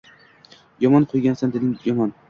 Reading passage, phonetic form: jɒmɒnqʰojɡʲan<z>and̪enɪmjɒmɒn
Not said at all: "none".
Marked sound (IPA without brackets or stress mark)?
s